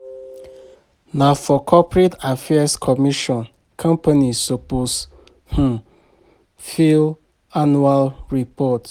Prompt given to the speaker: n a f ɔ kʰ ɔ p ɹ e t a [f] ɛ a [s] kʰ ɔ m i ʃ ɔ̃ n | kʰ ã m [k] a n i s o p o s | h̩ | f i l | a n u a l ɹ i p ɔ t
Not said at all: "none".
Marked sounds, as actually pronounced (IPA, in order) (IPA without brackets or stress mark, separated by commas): f, s, p